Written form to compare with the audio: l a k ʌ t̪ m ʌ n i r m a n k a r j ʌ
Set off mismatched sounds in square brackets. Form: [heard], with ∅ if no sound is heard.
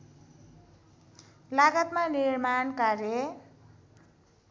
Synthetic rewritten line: l a [ɡ] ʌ t̪ m [a] n i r m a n k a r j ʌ